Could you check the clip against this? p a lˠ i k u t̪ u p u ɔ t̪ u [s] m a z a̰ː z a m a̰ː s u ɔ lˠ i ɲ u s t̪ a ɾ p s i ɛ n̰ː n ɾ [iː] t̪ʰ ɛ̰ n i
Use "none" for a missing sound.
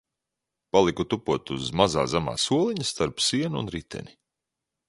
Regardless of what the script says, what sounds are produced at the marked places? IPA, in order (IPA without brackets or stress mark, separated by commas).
z, i